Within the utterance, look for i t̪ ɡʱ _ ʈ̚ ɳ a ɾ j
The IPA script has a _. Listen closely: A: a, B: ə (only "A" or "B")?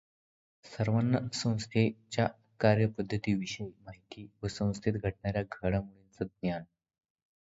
B